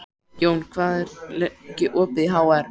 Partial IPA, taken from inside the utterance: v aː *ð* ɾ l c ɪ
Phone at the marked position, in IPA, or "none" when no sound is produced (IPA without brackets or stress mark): ð